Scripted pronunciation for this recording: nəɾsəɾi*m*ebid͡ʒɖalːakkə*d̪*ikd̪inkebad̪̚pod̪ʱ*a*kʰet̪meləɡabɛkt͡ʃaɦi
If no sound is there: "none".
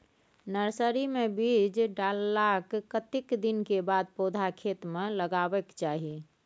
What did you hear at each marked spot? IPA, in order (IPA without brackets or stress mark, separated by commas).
m, t̪, a